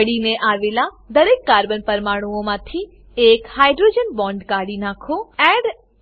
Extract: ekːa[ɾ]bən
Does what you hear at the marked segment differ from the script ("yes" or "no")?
no